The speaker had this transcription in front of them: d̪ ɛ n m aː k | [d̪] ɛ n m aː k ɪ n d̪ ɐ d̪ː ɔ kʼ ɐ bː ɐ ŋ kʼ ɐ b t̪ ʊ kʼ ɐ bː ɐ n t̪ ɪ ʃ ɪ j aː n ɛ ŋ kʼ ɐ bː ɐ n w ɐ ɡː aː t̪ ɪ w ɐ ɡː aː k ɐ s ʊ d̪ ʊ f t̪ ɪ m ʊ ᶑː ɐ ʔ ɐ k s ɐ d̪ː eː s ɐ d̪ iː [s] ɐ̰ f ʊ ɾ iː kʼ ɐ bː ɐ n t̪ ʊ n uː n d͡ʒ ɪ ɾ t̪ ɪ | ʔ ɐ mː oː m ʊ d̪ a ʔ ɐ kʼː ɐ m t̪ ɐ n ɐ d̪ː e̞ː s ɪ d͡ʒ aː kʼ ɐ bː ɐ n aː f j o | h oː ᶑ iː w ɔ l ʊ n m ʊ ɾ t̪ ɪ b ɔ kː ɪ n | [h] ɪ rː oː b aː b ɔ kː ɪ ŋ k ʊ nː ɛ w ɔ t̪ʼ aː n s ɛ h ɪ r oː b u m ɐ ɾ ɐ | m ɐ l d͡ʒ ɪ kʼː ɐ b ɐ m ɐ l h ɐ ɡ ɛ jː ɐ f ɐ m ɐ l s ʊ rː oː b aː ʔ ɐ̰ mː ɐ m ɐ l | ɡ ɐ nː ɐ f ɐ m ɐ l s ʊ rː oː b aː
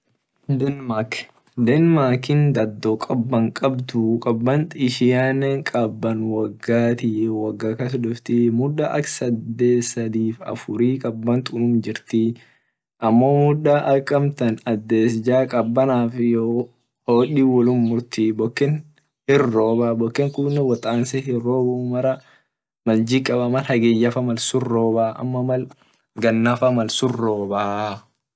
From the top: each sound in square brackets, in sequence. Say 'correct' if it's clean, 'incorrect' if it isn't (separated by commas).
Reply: correct, incorrect, correct